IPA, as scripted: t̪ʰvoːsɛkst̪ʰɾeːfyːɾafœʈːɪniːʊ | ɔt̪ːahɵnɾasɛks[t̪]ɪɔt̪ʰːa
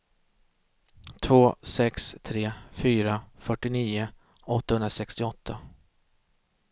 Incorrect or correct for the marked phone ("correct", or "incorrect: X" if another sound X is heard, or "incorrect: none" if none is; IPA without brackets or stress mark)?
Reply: correct